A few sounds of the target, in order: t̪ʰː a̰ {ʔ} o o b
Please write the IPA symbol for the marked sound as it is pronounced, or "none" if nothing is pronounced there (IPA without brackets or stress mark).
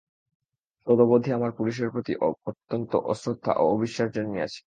ʔ